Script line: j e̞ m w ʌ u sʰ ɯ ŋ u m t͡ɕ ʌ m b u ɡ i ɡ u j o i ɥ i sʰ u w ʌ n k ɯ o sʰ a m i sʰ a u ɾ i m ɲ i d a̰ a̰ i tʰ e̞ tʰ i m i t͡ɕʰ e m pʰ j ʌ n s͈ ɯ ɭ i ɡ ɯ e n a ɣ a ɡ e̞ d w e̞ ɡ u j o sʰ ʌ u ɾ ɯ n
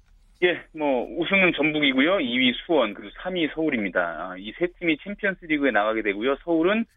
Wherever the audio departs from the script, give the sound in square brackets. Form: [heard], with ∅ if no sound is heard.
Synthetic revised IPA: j e̞ m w ʌ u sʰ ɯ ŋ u [n] t͡ɕ ʌ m b u ɡ i ɡ u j o i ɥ i sʰ u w ʌ n k ɯ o sʰ a m i sʰ [ʌ] u ɾ i m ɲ i d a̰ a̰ i [sʰ] e̞ tʰ i m i t͡ɕʰ e m pʰ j ʌ n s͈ ɯ [ɾ] i ɡ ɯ e n a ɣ a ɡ e̞ d w e̞ ɡ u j o sʰ ʌ u ɾ ɯ n